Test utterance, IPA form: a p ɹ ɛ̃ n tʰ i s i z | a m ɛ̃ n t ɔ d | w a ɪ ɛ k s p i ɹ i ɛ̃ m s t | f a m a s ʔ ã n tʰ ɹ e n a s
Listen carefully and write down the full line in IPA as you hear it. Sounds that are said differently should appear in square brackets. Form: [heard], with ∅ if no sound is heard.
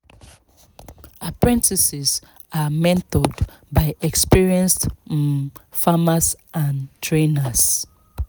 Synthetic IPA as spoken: a p ɹ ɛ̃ n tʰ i s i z | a m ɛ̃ n t ɔ d | [b] a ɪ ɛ k s p i ɹ i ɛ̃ [n] s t | f a m a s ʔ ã n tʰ ɹ e n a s